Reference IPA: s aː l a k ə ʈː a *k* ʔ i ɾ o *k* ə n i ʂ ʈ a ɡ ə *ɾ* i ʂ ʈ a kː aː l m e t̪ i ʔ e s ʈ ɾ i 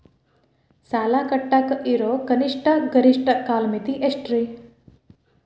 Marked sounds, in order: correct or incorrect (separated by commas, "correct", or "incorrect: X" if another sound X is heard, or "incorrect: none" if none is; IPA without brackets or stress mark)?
correct, correct, correct